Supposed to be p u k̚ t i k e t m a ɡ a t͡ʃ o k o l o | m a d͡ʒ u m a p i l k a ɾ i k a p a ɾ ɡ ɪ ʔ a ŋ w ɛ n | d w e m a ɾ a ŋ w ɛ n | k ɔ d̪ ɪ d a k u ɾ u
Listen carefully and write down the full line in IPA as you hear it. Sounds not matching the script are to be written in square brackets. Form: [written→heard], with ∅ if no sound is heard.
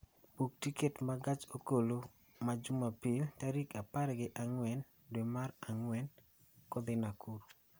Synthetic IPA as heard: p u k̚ t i k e t m a ɡ a t͡ʃ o k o l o | m a d͡ʒ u m a p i l [k→t] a ɾ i k a p a ɾ ɡ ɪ ʔ a ŋ w ɛ n | d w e m a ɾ a ŋ w ɛ n | k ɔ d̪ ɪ [d→n] a k u ɾ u